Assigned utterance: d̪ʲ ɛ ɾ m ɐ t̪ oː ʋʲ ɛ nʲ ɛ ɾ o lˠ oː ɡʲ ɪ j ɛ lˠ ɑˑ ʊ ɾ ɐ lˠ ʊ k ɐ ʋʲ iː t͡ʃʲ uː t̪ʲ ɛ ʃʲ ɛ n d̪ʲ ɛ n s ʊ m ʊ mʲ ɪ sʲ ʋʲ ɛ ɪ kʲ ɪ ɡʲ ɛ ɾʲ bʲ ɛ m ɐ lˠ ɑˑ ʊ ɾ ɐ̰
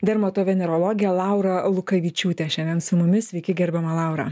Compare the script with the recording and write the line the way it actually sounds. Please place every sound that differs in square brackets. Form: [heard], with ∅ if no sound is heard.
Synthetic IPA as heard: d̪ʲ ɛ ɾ m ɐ t̪ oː ʋʲ ɛ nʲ ɛ ɾ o lˠ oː ɡʲ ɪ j ɛ lˠ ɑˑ ʊ ɾ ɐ lˠ ʊ k ɐ ʋʲ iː t͡ʃʲ uː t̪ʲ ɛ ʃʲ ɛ n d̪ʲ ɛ n s ʊ m ʊ mʲ ɪ sʲ ʋʲ ɛ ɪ kʲ ɪ ɡʲ ɛ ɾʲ bʲ ɛ m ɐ lˠ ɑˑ ʊ ɾ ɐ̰